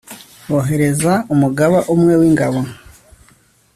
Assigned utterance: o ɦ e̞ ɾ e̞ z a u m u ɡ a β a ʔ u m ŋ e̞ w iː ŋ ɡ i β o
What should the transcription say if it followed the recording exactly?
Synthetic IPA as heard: o ɦ e̞ ɾ e̞ z a u m u ɡ a β a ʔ u m ŋ e̞ w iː ŋ ɡ a β o